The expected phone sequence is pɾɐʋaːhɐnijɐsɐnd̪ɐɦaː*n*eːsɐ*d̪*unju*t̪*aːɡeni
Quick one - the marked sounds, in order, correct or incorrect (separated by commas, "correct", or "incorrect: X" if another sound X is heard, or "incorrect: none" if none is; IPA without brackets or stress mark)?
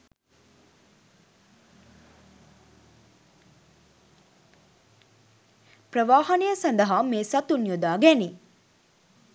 incorrect: m, incorrect: t̪, incorrect: d̪